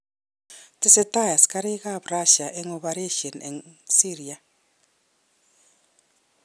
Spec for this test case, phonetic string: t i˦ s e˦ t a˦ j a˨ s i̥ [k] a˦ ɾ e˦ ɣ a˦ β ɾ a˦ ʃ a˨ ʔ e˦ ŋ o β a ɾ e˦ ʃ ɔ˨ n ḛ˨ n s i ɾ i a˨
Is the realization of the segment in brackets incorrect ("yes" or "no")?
no